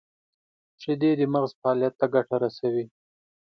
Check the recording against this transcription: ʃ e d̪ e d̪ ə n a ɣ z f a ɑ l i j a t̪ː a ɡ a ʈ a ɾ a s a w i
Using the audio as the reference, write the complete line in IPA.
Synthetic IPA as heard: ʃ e d̪ e d̪ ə m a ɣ z f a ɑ l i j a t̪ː a ɡ a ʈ a ɾ a s a w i